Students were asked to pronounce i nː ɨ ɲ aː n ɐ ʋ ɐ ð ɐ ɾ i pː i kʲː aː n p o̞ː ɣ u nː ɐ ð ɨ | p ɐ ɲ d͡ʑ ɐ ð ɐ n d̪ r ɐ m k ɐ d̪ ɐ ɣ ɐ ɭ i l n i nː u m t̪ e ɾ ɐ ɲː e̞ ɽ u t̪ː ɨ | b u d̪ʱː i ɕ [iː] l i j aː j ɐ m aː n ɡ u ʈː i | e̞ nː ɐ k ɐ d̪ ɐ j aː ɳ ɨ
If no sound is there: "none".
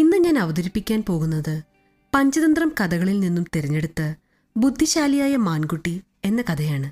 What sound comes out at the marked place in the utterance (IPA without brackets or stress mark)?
aː